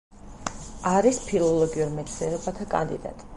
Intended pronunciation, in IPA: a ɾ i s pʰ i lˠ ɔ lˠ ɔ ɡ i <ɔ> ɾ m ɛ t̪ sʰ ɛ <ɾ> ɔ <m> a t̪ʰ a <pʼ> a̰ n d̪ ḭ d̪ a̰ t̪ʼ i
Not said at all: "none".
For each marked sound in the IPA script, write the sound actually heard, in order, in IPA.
u, ɾ, b, kʼ

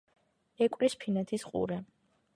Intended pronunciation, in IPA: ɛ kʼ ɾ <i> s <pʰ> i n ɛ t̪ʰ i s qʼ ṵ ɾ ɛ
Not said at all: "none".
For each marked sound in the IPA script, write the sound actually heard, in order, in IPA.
i, pʰ

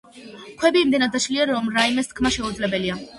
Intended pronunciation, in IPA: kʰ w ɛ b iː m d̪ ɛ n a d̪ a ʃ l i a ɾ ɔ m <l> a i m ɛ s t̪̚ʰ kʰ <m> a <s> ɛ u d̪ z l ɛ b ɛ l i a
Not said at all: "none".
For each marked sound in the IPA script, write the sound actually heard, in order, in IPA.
ɾ, m, ʃ

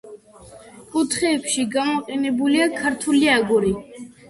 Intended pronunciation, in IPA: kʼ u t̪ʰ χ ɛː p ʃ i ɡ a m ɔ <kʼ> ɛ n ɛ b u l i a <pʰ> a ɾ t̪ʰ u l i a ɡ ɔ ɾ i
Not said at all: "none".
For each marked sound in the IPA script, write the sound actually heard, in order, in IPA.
qʼ, kʰ

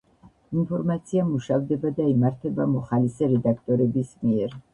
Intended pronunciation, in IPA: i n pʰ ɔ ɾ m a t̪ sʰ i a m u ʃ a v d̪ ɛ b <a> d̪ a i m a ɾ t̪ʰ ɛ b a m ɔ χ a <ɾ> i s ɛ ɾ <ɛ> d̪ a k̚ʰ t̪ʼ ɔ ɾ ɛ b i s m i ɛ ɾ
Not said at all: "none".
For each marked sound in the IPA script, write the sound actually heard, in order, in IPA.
a, l, ɛ

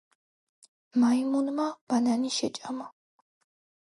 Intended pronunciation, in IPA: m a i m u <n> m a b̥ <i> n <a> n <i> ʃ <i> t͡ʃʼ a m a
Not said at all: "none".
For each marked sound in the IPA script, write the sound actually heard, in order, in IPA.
n, a, a, i, ɛ

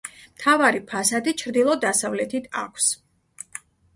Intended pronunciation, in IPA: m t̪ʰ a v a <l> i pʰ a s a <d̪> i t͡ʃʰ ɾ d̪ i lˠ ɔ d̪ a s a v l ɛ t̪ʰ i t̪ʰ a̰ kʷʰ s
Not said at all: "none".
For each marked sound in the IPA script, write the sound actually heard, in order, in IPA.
ɾ, d̪

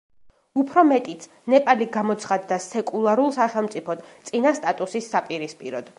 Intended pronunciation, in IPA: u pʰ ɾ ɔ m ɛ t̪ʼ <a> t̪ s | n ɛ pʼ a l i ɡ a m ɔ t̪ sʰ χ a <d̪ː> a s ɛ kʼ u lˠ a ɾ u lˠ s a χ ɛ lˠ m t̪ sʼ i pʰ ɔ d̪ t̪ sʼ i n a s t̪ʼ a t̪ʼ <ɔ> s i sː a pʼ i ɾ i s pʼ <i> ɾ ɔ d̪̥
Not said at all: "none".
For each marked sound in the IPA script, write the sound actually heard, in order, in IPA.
i, d̪ː, u, i

